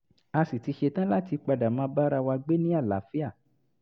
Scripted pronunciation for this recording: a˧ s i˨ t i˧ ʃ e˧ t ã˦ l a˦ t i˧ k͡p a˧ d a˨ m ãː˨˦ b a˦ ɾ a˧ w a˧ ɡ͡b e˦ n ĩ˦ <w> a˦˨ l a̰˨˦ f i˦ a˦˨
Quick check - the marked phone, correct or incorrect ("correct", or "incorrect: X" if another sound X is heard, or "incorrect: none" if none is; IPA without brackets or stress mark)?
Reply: incorrect: none